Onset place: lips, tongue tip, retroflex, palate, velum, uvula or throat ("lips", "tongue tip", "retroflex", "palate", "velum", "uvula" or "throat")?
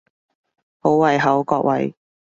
throat